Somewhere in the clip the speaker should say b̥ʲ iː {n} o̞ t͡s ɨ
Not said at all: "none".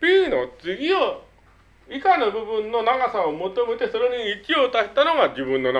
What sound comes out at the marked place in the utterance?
n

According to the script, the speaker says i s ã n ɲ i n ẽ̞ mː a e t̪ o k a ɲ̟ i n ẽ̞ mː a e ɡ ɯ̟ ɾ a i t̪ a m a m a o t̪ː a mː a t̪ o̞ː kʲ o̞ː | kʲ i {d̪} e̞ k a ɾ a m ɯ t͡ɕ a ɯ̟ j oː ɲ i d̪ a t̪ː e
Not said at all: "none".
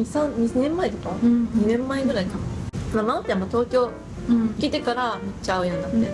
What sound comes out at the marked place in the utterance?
t̪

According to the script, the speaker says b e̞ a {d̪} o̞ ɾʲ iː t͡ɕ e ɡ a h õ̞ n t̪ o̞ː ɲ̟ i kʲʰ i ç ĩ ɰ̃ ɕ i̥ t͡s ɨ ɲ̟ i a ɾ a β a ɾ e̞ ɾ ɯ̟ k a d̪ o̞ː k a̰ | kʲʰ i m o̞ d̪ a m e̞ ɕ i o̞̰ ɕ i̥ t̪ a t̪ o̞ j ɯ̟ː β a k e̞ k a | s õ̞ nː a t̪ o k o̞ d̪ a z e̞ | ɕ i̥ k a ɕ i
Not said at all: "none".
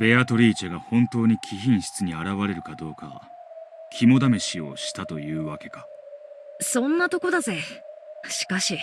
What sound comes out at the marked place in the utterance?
t̪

